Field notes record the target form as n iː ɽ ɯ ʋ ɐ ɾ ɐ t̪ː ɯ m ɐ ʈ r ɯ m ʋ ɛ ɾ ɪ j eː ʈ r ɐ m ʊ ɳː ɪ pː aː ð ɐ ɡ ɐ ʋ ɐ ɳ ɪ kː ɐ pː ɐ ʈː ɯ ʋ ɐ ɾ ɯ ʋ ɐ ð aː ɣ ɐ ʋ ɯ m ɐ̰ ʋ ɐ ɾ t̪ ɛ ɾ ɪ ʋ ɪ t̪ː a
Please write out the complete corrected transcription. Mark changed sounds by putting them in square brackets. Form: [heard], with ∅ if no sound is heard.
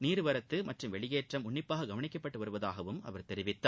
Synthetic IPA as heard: n iː [ɾ] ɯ ʋ ɐ ɾ ɐ t̪ː ɯ m ɐ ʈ r ɯ m ʋ ɛ [ɭ] ɪ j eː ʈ r ɐ m ʊ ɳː ɪ pː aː [ɣ] ɐ ɡ ɐ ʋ ɐ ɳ ɪ kː ɐ pː ɐ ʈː ɯ ʋ ɐ ɾ ɯ ʋ ɐ ð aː ɣ ɐ ʋ ɯ m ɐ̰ ʋ ɐ ɾ t̪ ɛ ɾ ɪ ʋ ɪ t̪ː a